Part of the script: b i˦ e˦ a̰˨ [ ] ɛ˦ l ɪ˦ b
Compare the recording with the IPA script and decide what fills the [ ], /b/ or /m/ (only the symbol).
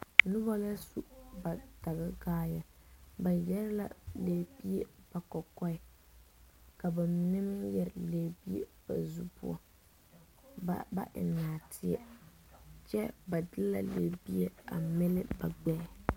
m